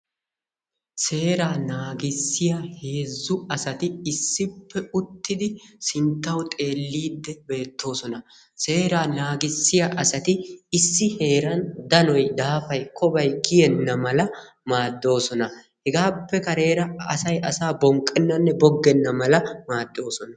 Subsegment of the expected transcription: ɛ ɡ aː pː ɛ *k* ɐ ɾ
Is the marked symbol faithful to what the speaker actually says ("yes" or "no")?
yes